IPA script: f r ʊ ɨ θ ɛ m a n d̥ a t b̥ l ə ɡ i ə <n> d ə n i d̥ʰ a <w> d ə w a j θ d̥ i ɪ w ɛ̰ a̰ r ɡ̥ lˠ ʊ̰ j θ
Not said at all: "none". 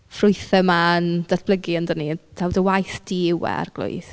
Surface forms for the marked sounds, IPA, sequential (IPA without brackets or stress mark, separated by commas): n, w